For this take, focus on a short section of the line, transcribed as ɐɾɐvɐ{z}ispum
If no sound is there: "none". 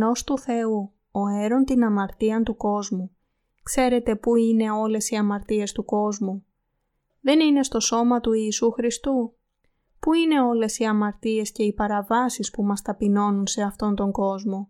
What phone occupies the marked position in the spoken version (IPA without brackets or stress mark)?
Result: s